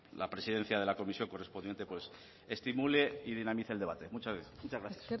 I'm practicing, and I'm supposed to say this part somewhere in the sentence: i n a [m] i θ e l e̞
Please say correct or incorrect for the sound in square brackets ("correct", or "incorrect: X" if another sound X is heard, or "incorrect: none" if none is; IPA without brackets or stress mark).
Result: correct